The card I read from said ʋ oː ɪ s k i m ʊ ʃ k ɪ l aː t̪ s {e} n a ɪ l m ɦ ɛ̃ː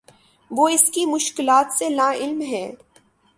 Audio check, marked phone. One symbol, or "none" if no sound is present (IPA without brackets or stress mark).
e